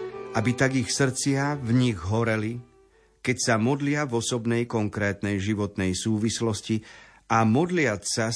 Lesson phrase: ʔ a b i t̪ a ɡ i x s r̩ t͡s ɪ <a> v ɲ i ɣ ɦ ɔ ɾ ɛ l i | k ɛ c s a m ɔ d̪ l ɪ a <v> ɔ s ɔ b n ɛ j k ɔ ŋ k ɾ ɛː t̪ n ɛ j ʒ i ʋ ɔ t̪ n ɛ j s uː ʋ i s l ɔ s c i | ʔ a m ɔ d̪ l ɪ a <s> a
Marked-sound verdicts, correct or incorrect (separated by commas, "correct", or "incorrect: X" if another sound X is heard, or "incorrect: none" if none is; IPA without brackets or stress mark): correct, correct, correct